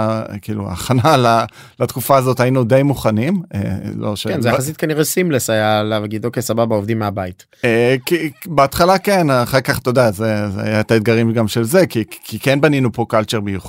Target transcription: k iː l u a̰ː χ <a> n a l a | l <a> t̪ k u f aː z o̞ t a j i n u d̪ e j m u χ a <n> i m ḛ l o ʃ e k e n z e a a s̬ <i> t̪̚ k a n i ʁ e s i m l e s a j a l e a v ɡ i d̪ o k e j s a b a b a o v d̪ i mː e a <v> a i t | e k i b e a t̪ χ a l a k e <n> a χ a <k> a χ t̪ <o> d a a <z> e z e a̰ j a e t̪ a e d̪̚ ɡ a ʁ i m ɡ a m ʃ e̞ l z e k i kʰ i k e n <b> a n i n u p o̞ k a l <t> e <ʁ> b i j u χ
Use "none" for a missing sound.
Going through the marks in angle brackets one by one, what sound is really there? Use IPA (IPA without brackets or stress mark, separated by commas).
a, a, n, i, b, n, k, o, z, b, t͡ʃ, ʁ